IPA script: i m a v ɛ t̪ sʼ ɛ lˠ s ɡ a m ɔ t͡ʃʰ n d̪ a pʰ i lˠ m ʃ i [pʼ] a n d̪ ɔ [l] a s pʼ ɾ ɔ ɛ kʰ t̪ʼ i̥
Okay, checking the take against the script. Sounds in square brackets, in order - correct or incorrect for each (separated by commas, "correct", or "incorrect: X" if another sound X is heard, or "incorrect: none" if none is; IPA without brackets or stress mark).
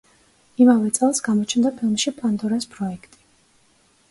correct, incorrect: ɾ